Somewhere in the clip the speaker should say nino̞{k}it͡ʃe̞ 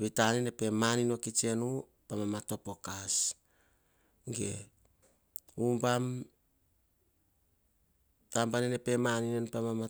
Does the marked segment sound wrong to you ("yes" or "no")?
no